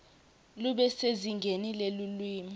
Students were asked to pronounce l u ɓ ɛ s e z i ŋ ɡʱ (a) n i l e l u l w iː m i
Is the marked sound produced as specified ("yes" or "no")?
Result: no